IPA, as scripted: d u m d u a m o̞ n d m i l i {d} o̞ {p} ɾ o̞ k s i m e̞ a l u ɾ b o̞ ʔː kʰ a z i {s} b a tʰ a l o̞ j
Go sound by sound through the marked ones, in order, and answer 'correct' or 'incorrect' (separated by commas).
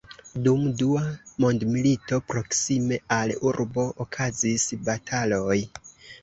incorrect, correct, correct